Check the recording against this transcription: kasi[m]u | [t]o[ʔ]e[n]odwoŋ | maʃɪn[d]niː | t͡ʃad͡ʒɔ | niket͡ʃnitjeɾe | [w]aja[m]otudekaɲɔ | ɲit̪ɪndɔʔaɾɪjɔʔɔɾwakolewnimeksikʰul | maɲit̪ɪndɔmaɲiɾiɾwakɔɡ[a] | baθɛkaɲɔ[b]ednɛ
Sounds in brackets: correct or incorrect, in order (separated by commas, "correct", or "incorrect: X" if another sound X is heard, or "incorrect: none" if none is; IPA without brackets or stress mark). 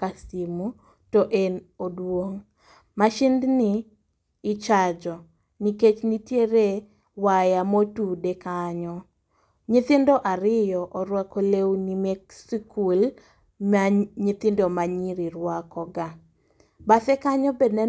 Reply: correct, correct, correct, correct, correct, correct, correct, correct, correct